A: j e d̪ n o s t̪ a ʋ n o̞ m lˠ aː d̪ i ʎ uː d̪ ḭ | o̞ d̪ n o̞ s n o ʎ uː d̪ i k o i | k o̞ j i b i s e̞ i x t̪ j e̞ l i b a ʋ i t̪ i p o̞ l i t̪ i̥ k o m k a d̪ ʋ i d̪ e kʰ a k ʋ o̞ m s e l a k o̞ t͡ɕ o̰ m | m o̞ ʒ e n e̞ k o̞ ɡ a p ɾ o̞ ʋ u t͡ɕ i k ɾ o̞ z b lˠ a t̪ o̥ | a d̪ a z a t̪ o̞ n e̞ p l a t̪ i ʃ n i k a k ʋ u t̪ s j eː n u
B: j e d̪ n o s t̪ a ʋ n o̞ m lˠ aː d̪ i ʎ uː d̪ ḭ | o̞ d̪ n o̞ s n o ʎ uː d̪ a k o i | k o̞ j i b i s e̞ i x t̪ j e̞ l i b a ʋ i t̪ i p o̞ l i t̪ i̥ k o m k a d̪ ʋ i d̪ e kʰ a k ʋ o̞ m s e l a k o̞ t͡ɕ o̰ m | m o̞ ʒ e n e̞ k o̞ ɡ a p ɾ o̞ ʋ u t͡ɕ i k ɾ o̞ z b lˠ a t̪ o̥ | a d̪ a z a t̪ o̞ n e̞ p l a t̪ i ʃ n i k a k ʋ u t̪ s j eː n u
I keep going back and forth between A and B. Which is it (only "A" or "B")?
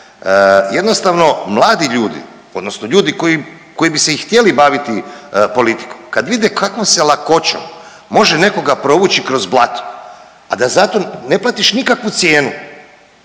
A